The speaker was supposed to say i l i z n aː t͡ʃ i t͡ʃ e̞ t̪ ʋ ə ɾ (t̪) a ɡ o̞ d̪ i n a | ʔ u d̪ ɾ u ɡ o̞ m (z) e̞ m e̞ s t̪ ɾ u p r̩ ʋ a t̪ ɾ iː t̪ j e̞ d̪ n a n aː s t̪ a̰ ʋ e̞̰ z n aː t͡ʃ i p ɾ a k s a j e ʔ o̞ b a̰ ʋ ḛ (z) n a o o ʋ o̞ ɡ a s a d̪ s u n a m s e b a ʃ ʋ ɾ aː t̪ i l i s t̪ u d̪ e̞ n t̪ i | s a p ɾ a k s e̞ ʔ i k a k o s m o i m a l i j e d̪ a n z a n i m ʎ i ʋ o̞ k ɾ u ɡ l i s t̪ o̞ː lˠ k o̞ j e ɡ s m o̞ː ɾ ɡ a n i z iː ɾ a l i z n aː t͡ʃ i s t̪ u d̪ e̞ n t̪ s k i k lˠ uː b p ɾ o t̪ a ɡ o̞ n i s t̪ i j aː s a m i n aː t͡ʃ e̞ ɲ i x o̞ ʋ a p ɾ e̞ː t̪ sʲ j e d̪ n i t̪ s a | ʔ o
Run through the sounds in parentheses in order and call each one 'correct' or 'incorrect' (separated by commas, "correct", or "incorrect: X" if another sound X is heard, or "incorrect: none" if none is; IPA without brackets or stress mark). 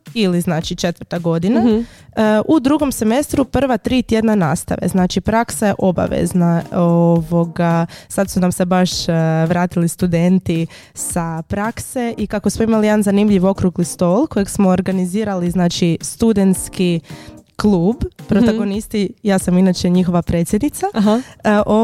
correct, incorrect: s, correct